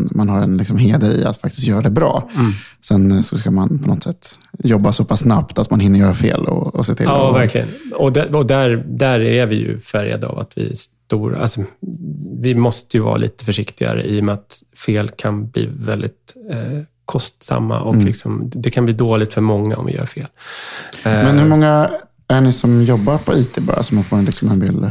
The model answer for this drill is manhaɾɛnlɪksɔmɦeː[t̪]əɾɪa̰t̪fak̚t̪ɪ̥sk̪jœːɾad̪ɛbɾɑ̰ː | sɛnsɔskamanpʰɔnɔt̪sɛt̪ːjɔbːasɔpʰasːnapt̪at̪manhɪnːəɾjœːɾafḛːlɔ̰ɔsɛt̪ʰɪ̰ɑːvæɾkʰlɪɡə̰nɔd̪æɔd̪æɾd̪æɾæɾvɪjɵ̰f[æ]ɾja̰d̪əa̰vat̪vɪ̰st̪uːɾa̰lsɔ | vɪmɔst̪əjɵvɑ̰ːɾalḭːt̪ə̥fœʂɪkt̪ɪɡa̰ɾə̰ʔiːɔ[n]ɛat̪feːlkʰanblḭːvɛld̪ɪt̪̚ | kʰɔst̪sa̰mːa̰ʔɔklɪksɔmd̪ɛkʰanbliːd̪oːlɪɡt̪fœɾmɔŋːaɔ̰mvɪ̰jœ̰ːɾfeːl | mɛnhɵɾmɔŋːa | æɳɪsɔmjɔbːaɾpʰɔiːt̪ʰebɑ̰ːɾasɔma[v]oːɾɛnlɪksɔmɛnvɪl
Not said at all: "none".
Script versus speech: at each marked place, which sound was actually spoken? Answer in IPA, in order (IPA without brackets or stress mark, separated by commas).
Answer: d̪, æ, m, f